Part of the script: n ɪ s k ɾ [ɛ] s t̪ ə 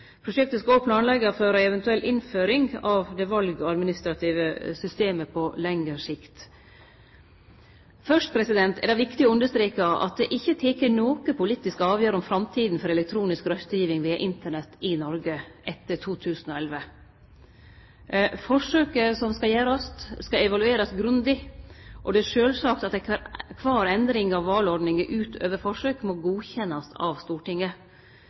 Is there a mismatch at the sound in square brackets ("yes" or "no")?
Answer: yes